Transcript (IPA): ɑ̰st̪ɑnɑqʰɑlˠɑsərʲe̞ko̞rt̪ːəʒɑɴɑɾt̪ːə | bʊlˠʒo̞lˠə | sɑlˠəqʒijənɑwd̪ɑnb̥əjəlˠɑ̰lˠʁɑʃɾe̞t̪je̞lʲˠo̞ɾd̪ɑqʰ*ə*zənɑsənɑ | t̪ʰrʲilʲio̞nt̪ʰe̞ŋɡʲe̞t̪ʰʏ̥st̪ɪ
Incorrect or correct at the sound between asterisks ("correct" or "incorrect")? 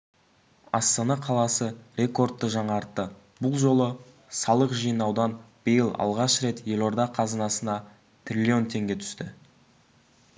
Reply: incorrect